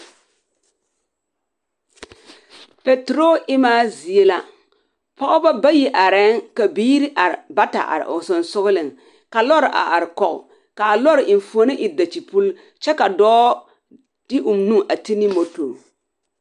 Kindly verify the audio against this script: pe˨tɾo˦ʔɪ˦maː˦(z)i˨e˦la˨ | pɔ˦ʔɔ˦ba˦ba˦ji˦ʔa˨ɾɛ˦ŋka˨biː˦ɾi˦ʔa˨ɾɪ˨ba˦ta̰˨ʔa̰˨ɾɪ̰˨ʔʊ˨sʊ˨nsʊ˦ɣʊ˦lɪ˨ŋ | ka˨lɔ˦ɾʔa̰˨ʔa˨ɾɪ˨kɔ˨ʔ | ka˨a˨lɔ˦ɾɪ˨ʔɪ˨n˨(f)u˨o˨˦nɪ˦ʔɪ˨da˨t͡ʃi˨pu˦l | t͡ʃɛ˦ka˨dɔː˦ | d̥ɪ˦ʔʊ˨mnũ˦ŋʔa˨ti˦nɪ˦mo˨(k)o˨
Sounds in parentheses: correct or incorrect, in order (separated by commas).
correct, correct, incorrect